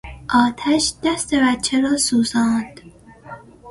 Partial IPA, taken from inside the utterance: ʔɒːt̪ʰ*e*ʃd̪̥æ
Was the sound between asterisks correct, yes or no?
no